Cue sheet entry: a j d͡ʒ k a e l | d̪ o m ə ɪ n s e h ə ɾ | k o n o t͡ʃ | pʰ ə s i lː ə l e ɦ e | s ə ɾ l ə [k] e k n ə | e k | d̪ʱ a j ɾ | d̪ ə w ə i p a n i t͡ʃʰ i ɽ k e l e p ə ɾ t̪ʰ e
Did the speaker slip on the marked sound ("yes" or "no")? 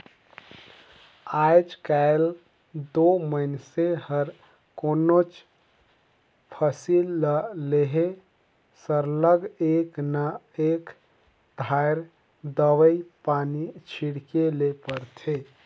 yes